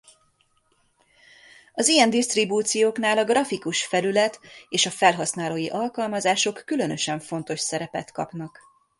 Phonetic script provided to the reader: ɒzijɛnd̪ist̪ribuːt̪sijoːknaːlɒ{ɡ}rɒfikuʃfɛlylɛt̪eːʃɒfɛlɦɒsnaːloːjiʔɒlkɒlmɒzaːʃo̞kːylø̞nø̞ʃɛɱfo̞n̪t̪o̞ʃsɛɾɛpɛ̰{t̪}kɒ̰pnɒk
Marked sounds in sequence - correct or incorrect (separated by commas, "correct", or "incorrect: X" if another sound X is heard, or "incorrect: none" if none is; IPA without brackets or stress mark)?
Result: correct, correct